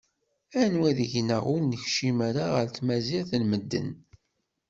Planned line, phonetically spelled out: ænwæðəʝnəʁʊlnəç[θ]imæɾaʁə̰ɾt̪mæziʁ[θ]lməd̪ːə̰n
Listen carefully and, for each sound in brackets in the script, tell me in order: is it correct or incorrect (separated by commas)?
incorrect, correct